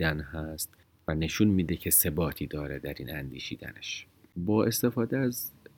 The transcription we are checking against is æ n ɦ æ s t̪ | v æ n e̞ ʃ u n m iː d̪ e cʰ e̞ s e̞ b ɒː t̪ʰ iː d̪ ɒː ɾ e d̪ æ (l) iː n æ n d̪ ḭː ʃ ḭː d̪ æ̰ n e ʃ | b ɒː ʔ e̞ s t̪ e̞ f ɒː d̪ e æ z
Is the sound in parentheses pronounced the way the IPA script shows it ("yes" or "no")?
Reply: no